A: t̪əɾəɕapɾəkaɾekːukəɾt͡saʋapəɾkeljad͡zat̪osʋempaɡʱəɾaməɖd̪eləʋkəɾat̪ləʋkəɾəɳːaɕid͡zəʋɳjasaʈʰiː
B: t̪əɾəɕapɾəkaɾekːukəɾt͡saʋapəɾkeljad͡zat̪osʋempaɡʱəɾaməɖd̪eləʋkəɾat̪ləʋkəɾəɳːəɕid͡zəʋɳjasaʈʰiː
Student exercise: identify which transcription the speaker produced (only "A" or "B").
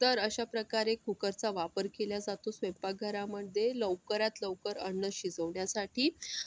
B